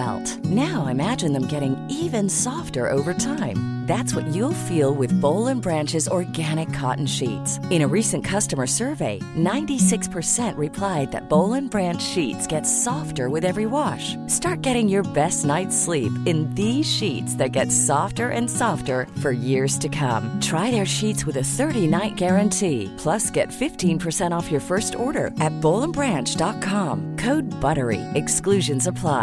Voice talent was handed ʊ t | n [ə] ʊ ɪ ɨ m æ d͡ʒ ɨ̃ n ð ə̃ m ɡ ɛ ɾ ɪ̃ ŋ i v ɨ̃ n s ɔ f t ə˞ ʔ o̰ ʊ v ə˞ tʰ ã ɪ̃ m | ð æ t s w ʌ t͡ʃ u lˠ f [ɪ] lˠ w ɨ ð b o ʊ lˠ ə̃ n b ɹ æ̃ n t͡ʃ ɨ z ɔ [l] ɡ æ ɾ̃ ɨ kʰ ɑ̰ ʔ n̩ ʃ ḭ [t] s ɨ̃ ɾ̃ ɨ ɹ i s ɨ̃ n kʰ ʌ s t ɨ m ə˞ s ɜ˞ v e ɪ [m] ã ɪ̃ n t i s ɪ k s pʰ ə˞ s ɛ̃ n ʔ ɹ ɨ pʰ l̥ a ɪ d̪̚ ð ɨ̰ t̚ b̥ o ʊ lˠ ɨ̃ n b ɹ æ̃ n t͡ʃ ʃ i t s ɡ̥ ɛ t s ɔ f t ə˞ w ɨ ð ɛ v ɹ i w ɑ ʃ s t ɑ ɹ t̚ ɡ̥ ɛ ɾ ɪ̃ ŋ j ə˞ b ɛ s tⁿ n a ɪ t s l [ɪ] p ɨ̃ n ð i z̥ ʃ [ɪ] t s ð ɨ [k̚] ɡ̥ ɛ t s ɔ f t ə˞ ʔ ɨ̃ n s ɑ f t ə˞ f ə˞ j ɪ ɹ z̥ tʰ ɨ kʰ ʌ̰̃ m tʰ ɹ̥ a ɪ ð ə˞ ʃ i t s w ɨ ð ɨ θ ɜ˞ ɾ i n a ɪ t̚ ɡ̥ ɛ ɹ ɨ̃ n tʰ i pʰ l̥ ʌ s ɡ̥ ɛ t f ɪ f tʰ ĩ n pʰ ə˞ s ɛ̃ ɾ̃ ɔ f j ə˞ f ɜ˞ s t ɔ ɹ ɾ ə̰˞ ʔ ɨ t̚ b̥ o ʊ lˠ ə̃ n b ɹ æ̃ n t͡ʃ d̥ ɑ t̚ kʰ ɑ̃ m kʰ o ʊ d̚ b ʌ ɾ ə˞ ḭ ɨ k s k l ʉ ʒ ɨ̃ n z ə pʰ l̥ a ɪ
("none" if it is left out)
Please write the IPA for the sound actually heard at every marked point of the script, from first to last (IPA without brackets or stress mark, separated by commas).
a, i, ɹ, t, n, i, i, t̚